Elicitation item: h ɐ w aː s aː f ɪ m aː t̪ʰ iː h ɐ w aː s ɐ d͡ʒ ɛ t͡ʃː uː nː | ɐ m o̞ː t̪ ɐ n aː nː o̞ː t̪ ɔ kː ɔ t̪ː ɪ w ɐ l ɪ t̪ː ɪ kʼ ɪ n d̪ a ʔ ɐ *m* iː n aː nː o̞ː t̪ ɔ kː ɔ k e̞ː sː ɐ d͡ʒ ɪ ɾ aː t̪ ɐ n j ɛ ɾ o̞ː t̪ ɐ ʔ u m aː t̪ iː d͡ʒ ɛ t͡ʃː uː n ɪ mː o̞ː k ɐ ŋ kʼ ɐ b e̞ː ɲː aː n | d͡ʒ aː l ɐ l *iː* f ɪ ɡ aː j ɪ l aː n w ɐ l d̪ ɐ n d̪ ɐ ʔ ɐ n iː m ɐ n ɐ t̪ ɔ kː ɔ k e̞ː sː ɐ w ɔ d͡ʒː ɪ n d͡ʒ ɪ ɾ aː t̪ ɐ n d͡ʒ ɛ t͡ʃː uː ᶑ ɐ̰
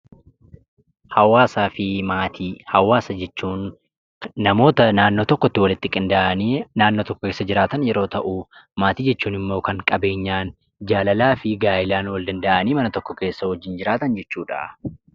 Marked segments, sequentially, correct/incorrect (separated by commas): incorrect, incorrect